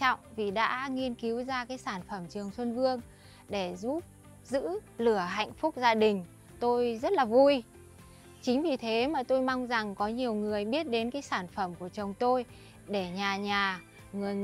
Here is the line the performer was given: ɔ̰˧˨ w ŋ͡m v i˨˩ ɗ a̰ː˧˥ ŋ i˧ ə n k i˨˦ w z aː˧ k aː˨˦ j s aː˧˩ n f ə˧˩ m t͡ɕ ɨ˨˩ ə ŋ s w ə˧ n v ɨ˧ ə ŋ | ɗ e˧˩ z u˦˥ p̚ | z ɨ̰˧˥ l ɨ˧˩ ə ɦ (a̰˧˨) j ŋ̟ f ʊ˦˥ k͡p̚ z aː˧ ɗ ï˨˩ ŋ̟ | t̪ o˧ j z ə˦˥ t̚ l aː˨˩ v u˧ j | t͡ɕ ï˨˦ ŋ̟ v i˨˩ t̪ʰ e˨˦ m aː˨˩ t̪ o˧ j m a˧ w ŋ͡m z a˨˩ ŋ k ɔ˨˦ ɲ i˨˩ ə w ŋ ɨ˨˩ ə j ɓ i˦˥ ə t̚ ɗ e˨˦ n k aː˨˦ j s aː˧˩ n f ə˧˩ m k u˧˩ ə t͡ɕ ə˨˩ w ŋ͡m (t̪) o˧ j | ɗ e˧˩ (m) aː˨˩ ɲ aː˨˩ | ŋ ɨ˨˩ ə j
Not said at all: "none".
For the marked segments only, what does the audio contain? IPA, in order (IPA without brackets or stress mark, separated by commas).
a̰˧˨, t̪, ɲ